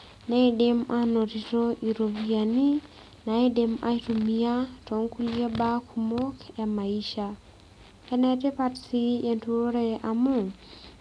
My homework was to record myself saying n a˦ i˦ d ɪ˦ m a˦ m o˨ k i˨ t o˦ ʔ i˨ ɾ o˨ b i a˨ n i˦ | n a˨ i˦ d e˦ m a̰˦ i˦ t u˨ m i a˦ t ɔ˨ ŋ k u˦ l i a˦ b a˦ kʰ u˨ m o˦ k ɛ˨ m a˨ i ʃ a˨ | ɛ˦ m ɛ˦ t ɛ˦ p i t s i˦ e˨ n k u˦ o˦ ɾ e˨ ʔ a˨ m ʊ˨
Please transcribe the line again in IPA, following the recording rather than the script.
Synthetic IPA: n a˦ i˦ d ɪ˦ m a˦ n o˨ t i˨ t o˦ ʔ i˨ ɾ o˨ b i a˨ n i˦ | n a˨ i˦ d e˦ m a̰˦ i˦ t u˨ m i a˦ t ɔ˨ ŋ k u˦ l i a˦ b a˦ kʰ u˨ m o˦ k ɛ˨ m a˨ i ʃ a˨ | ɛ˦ n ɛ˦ t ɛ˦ p a t s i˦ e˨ n t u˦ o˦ ɾ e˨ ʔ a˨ m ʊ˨